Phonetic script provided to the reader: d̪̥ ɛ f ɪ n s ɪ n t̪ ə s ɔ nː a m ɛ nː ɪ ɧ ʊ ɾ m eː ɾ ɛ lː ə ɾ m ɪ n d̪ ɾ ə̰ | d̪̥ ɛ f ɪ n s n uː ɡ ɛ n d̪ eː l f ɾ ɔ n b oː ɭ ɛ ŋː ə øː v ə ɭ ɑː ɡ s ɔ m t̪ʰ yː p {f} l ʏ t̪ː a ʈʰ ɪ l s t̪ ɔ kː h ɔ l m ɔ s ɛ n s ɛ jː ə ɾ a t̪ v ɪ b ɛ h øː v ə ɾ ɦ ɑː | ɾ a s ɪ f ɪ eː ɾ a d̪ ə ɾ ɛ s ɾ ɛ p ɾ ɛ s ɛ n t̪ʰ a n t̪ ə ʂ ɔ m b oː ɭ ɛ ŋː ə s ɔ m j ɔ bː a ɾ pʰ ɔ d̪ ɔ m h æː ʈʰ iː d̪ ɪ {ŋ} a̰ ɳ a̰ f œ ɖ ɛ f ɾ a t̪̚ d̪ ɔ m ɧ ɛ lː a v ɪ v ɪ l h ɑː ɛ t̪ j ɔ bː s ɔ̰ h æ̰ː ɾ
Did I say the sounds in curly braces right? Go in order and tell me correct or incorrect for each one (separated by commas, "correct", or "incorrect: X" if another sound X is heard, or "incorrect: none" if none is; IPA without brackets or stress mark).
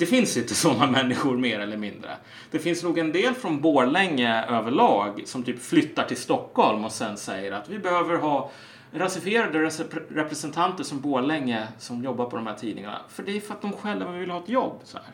correct, correct